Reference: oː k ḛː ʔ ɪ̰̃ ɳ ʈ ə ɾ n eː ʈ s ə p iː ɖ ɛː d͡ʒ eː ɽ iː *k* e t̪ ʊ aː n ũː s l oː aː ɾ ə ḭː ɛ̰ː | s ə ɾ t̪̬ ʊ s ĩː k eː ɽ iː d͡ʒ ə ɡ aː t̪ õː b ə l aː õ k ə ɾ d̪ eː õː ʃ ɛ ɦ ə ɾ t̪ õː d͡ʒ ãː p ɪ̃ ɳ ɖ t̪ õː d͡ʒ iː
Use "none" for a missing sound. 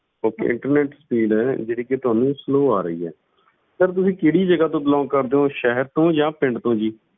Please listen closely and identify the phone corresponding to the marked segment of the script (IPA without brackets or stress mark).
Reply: k